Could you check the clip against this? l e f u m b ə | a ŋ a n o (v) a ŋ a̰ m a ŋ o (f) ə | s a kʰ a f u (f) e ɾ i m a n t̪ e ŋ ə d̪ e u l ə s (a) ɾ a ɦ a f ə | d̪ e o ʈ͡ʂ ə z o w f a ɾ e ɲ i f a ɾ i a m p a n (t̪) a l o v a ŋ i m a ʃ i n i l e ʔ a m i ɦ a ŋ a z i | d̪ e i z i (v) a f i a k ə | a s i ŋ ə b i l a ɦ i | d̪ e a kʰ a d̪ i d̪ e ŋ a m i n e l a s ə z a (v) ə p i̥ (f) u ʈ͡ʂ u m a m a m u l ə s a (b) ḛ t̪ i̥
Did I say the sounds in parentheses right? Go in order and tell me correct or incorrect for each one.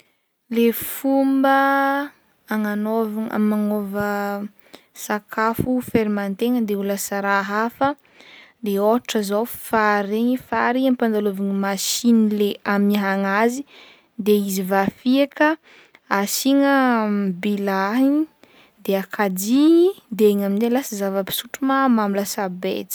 correct, incorrect: v, correct, correct, incorrect: d̪, correct, correct, incorrect: s, correct

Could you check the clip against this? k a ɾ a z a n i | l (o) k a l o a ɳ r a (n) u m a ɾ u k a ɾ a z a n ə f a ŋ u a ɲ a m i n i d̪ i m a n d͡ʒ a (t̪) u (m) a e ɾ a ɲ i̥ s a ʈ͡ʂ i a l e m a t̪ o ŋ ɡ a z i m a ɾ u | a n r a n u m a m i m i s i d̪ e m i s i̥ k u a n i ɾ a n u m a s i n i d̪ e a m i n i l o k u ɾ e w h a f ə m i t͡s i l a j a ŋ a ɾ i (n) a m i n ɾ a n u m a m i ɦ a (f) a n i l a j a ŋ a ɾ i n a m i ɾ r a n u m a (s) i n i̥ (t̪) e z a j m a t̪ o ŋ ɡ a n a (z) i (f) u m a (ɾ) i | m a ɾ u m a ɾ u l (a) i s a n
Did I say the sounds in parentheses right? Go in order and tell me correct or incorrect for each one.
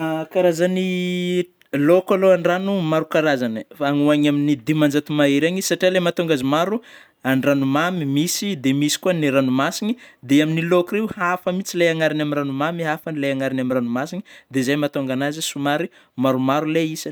correct, correct, correct, correct, correct, correct, correct, incorrect: d̪, correct, incorrect: s, correct, incorrect: e

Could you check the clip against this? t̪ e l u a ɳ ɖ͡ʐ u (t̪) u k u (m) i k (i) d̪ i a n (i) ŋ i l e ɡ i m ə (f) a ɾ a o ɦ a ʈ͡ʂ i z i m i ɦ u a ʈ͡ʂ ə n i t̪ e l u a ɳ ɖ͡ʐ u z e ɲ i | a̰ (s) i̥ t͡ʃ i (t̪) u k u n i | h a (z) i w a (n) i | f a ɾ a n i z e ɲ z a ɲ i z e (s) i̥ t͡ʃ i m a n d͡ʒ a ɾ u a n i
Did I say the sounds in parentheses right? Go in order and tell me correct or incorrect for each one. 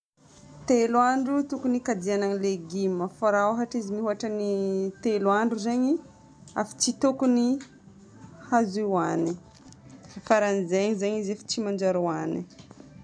correct, incorrect: n, incorrect: a, incorrect: a, correct, incorrect: f, correct, correct, correct, incorrect: f

